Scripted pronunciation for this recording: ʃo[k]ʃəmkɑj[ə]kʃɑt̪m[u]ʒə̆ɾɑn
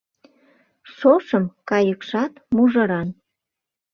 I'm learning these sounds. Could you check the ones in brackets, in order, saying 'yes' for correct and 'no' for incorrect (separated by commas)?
no, yes, yes